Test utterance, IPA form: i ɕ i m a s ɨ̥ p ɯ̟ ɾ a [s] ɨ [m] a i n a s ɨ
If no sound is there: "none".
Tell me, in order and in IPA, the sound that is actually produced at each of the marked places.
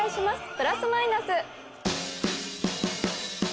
s, m

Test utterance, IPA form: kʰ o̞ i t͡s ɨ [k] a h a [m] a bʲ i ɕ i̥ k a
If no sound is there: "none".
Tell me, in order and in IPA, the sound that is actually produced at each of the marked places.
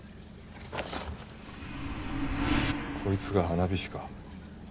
ɡ, n

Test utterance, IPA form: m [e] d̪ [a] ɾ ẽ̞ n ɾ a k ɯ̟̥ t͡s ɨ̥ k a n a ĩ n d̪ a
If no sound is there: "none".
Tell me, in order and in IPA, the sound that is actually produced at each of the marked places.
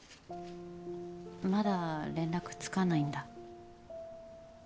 a, a

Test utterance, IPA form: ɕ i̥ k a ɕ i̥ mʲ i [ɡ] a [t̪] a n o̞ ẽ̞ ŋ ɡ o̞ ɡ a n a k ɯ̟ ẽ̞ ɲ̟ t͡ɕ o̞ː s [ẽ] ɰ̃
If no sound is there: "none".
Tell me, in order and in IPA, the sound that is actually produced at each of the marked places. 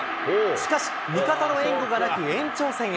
k, t̪, ẽ

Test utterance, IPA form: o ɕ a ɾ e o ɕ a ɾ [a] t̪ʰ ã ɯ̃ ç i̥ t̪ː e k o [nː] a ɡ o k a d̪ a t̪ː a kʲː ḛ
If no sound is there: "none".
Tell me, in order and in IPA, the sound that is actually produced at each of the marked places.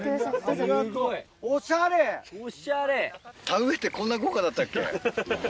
e, nː

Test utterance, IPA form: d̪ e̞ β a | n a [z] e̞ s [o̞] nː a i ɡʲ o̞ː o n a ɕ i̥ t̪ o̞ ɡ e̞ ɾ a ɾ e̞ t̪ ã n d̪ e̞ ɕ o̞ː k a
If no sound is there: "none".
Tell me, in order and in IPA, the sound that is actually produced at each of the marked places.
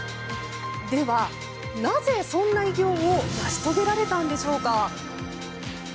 z, õ̞

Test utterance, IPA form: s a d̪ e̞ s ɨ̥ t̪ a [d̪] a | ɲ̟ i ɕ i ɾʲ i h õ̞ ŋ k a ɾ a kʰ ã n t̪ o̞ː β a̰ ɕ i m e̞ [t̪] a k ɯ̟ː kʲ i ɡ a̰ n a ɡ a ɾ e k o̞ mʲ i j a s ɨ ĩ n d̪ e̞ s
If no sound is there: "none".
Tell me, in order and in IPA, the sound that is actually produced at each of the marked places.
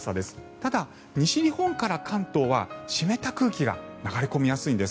d̪, t̪

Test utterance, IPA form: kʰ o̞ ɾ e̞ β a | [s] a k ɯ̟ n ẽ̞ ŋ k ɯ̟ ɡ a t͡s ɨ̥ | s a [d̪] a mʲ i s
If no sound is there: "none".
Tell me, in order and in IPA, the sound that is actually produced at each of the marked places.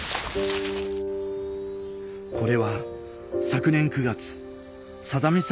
s, d̪

